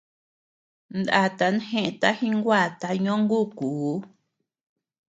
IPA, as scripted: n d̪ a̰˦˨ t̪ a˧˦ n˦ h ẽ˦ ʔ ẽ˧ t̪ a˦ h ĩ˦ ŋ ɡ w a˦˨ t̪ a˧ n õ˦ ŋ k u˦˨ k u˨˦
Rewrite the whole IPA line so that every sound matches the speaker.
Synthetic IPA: n d̪ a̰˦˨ t̪ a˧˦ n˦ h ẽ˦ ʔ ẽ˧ t̪ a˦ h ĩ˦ ŋ ɡ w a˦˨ t̪ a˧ ɲ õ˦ ŋ ɡ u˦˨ k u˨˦